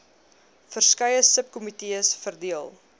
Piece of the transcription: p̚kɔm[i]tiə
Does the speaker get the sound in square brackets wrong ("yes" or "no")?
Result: no